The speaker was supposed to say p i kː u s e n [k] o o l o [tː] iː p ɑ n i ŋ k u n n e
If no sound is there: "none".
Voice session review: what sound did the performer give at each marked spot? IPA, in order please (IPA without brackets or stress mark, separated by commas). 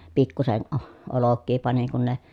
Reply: ʔ, kː